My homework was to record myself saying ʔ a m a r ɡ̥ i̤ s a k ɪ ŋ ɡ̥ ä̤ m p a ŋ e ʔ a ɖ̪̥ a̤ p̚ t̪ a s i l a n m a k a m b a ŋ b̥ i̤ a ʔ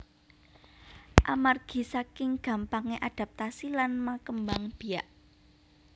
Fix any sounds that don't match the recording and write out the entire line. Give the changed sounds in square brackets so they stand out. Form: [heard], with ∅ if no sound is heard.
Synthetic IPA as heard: ʔ a m a r ɡ̥ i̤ s a k ɪ ŋ ɡ̥ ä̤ m p a ŋ e ʔ a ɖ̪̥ a̤ p̚ t̪ a s i l a n m a k [ə] m b a ŋ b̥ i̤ a ʔ